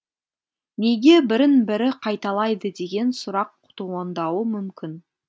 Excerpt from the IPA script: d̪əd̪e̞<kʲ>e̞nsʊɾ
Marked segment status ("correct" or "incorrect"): incorrect